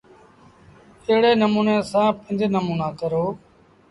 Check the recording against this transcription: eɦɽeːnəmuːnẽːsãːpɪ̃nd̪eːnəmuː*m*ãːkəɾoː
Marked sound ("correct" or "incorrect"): incorrect